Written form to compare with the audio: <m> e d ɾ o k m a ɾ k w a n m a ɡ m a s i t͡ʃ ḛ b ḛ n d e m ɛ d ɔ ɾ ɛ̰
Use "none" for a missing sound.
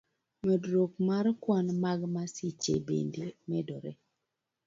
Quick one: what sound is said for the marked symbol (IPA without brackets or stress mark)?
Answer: m